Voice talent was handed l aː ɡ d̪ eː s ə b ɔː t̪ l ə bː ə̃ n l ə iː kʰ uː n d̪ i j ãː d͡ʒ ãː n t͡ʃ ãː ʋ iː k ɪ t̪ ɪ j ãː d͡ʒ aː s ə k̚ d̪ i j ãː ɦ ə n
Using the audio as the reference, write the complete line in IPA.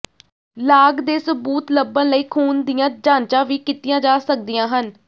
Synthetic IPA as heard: l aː ɡ d̪ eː s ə b uː t̪ l ə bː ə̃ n l ə iː kʰ uː n d̪ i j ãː d͡ʒ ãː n t͡ʃ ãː ʋ iː k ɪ t̪ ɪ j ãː d͡ʒ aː s ə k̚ d̪ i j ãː ɦ ə n